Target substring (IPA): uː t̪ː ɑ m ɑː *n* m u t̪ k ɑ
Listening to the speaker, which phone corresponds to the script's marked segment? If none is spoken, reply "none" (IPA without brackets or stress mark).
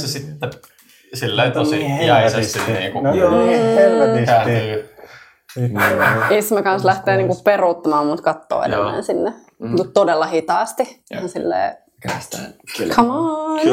m